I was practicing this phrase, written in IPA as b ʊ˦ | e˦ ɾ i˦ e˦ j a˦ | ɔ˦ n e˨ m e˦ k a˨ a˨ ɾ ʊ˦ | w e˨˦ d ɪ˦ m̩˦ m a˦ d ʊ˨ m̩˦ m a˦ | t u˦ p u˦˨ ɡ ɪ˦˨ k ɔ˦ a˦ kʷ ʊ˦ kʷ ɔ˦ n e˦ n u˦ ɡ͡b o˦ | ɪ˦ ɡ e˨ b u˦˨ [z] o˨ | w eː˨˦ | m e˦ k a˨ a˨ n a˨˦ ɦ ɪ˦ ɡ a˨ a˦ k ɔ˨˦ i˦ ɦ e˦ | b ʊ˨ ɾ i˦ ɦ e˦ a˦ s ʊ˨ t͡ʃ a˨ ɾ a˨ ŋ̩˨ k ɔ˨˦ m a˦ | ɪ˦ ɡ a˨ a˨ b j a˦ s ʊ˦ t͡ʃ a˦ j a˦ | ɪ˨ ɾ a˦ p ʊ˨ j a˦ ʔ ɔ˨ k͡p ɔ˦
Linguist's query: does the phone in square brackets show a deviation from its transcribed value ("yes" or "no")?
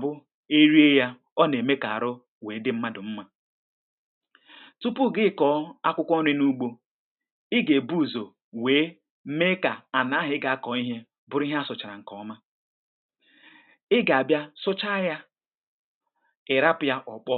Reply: no